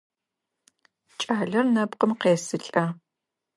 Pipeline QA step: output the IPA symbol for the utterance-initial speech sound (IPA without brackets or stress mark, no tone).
t͡ʃʼ